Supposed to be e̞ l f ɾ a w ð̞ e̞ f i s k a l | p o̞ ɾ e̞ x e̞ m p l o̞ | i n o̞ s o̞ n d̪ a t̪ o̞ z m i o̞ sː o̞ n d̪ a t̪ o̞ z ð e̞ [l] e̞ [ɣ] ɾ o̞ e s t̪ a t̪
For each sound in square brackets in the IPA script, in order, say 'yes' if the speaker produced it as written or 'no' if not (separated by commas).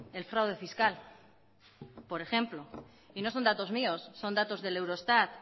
yes, no